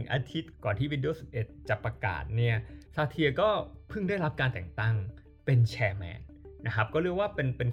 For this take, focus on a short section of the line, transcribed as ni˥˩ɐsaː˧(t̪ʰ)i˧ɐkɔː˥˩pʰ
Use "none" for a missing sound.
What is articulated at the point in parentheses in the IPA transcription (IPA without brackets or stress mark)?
t̪ʰ